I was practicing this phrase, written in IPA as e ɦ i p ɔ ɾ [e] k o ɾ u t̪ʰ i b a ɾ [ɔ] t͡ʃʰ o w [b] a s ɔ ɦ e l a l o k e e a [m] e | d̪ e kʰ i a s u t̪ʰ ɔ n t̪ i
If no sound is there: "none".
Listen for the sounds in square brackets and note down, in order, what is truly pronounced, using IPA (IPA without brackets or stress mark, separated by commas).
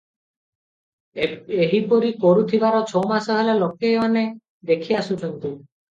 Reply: i, ɔ, m, n